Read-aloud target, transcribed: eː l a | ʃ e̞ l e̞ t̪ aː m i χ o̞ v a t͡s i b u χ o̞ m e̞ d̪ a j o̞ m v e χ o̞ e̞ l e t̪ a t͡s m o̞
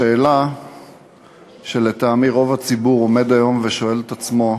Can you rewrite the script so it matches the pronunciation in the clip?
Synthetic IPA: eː l a | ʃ e̞ l e̞ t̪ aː m i ʁ o̞ v a t͡s i b u ʁ o̞ m e̞ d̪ a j o̞ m v e ʃ o̞ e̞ l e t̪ a t͡s m o̞